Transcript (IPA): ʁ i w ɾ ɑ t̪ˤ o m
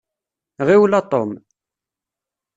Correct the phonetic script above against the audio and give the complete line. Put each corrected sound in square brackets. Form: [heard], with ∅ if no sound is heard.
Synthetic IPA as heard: ʁ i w [l] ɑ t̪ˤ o m